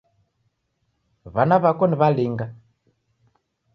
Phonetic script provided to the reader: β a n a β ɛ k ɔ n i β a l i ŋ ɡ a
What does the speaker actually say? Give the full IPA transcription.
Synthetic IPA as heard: β a n a β a k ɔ n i β a l i ŋ ɡ a